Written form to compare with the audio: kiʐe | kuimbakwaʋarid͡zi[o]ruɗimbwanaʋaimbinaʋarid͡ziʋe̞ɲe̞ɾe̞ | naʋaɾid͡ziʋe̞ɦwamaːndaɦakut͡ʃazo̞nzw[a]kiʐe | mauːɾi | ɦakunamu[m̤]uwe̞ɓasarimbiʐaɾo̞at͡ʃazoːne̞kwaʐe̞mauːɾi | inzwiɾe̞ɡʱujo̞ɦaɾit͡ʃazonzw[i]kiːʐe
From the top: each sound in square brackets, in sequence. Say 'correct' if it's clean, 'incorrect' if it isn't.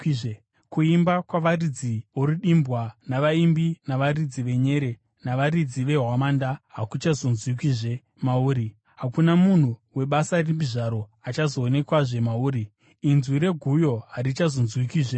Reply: correct, incorrect, incorrect, correct

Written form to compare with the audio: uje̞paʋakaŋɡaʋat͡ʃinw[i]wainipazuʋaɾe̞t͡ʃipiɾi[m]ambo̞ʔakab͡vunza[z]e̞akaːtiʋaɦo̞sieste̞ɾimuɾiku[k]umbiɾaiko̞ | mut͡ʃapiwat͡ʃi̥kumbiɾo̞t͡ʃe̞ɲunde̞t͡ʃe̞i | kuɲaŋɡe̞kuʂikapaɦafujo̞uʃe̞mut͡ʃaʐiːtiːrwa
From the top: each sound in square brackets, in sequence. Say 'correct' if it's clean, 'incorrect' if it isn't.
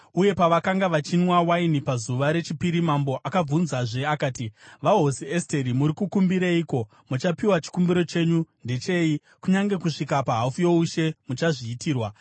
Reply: incorrect, correct, incorrect, correct

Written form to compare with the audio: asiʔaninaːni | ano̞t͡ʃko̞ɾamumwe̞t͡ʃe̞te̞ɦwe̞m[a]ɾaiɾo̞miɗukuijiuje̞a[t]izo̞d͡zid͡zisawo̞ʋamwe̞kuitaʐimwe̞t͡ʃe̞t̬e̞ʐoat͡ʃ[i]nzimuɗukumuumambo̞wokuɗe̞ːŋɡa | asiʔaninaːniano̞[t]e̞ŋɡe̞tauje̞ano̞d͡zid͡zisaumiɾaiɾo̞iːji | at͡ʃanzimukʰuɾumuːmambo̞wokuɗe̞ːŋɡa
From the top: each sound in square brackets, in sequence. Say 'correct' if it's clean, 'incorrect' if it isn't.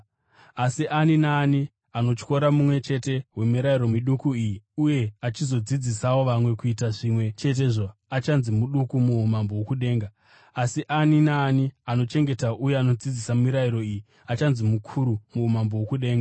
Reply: incorrect, incorrect, incorrect, incorrect

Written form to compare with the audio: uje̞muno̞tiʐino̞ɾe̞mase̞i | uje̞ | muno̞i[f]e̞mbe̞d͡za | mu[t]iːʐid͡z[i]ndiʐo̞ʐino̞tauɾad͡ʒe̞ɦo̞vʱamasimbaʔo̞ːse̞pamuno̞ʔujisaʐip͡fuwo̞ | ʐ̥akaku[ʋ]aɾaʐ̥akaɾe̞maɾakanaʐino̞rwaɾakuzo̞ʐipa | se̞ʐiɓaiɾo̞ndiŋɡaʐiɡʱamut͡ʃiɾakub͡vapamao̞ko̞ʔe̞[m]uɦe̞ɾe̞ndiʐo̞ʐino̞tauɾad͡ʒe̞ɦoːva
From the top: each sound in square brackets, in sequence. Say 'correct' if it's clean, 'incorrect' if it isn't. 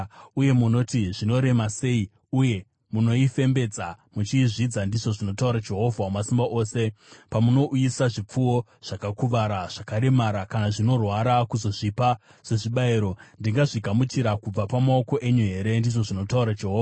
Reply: correct, incorrect, incorrect, correct, incorrect

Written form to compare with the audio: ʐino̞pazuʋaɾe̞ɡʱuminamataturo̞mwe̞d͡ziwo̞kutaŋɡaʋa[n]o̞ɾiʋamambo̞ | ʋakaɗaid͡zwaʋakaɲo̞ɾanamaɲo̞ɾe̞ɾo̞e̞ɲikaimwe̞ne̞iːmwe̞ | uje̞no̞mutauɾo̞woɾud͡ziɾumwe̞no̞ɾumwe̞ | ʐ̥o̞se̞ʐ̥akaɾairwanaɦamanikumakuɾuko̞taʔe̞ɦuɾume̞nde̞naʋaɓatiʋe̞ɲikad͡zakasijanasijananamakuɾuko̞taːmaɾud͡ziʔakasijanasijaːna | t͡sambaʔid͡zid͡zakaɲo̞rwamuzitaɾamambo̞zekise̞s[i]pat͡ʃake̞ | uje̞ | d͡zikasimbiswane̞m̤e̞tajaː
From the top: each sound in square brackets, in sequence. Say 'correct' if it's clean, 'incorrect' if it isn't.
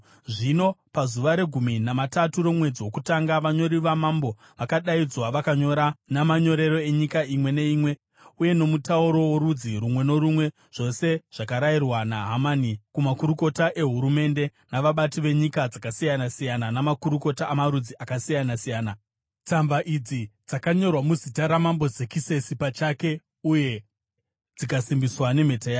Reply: incorrect, correct

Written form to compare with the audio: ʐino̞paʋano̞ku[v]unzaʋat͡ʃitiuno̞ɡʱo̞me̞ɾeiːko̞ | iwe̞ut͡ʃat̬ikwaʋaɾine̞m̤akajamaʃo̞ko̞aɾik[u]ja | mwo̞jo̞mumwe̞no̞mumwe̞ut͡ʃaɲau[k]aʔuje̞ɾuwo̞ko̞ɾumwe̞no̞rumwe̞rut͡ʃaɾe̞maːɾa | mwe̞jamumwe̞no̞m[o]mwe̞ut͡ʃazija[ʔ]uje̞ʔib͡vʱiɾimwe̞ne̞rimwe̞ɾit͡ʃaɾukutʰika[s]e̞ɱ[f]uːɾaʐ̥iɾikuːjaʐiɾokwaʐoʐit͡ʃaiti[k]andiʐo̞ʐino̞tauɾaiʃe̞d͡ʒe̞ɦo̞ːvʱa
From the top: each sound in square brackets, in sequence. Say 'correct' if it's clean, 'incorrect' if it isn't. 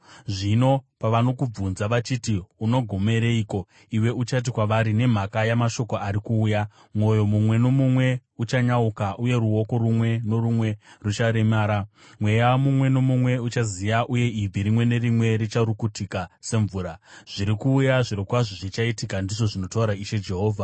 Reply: incorrect, incorrect, correct, incorrect, correct, correct, incorrect, correct

